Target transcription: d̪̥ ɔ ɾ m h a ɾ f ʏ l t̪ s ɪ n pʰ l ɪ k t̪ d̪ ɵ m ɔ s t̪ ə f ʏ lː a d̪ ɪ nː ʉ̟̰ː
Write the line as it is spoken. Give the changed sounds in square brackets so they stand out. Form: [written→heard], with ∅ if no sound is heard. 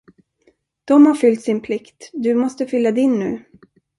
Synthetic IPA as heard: d̪̥ ɔ [ɾ→∅] m h a ɾ f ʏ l t̪ s ɪ n pʰ l ɪ k t̪ d̪ ɵ m ɔ s t̪ ə f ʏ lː a d̪ ɪ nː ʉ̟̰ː